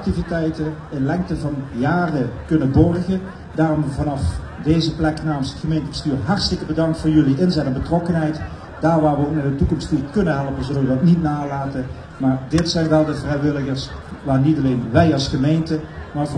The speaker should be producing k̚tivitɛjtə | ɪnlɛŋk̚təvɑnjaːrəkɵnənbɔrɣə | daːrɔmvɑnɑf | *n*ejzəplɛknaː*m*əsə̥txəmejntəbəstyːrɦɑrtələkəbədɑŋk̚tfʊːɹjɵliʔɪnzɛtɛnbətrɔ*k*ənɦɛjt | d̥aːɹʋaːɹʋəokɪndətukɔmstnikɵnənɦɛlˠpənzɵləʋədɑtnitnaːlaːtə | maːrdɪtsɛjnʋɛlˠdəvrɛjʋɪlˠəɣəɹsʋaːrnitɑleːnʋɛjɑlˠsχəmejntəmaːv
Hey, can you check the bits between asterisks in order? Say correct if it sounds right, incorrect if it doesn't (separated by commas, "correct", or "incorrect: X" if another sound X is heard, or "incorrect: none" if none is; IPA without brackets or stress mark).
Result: incorrect: d, correct, correct